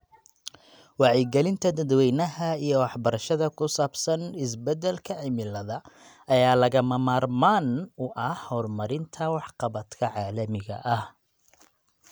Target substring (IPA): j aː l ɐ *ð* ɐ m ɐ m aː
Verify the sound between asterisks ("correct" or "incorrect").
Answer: incorrect